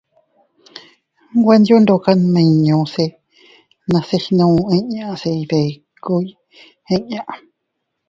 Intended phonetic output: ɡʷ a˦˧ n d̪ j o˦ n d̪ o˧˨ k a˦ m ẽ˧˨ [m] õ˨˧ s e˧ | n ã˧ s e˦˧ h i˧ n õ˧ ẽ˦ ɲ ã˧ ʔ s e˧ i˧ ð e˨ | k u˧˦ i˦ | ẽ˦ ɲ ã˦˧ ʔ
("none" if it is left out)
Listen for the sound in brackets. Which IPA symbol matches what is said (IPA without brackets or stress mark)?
ɲ